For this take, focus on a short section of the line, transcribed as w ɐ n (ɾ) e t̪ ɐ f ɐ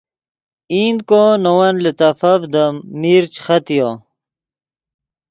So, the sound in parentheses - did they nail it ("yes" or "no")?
no